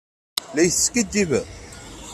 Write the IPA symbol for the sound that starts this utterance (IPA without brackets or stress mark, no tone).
l